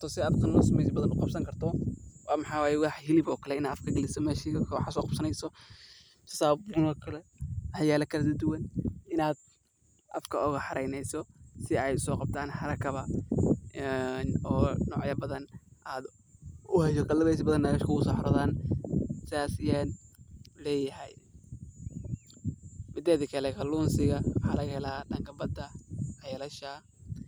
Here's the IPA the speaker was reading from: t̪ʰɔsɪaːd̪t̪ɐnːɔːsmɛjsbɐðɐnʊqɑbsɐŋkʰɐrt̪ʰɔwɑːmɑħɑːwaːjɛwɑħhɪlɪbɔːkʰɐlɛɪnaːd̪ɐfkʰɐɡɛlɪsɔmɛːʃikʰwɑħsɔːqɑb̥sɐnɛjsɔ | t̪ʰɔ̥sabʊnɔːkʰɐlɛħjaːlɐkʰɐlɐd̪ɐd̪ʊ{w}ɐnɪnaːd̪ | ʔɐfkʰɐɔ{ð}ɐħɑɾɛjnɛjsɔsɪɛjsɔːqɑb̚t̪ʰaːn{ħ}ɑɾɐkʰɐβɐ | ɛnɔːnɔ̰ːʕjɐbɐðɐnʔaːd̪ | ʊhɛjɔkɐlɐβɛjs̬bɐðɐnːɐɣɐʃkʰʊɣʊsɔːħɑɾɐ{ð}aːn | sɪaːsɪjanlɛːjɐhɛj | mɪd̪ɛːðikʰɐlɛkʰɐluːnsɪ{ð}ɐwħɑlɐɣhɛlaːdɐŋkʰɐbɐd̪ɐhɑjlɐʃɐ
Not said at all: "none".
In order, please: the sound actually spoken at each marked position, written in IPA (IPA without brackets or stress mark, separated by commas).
w, ɣ, ħ, ð, ɣ